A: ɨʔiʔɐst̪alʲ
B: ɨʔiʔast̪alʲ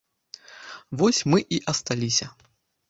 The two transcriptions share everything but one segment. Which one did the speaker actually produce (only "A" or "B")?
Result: A